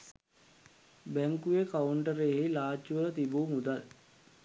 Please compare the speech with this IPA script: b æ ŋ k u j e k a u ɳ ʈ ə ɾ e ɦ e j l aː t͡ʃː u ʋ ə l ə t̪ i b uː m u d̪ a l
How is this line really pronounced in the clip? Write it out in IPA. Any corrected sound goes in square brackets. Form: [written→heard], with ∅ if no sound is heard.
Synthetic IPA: b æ ŋ k u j e k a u ɳ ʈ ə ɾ e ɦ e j l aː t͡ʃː u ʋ ə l ə t̪ i b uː m u d̪ a l